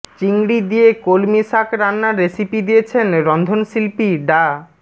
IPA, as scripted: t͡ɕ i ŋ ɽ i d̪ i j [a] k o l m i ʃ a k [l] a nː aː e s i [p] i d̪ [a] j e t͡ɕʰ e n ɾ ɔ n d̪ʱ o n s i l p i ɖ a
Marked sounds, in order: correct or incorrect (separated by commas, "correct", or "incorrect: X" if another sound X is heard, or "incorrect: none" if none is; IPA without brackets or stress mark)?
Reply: incorrect: e, incorrect: ɾ, correct, incorrect: i